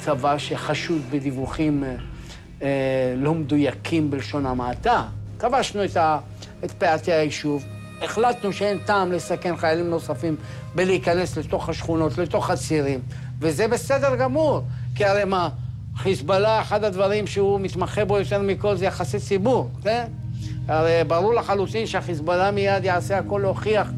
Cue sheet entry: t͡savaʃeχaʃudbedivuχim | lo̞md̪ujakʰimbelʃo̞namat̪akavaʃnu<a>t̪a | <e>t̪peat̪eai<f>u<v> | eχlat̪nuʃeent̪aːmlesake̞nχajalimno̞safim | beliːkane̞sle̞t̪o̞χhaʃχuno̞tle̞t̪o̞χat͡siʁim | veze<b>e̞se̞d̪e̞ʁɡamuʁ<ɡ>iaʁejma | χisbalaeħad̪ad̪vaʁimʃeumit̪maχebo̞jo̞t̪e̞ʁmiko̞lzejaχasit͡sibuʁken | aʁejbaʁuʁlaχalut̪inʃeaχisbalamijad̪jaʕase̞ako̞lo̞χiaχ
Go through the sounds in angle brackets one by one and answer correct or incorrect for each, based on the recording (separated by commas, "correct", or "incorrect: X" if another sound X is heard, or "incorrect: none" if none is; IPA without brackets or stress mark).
incorrect: e, correct, incorrect: ʃ, correct, correct, incorrect: k